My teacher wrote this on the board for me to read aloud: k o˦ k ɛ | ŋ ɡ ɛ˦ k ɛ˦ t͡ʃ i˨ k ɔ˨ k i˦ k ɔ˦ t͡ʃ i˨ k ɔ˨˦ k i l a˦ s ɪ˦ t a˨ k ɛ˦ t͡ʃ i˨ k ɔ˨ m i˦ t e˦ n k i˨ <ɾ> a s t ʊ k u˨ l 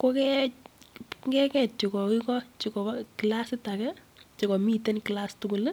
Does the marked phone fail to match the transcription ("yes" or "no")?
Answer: yes